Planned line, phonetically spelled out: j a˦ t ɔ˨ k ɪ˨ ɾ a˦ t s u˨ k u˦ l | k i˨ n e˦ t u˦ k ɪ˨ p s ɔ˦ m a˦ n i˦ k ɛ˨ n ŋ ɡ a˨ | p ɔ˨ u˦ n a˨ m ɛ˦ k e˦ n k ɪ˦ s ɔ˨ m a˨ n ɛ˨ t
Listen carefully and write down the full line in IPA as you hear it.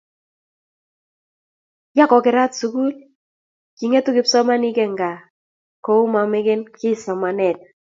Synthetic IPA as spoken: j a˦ k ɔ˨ k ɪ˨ ɾ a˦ t s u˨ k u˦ l | k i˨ ŋ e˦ t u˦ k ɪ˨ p s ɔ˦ m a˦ n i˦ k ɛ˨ ŋ ɡ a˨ | k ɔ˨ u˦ m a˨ m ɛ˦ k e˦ n k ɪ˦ s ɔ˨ m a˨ n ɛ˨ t